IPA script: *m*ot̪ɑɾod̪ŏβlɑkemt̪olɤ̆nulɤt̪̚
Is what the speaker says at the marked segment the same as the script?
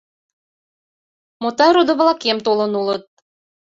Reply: yes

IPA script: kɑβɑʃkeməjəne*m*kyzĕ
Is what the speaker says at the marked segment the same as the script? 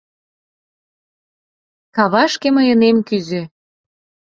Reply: yes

